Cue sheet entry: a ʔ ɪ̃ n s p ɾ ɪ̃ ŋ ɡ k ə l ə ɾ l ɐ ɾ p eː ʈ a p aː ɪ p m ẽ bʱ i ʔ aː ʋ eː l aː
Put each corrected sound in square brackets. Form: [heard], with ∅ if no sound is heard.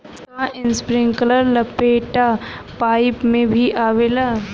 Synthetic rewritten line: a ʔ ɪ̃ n s p ɾ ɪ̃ ŋ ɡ k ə l ə ɾ l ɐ [∅] p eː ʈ a p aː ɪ p m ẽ bʱ i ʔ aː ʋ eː l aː